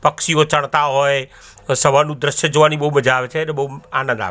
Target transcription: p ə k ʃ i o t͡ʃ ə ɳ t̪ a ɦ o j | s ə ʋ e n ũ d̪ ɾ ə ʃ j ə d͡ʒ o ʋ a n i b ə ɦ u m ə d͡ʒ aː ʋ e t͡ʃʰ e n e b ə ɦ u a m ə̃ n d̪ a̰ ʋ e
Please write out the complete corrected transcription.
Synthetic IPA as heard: p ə k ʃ i o t͡ʃ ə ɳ t̪ a ɦ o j | s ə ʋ a n ũ d̪ ɾ ə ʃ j ə d͡ʒ o ʋ a n i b ə ɦ u m ə d͡ʒ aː ʋ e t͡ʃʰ e n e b ə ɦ u a n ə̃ n d̪ a̰ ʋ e